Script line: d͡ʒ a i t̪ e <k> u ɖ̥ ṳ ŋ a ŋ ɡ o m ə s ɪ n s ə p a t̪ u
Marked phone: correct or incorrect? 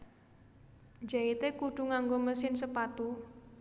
correct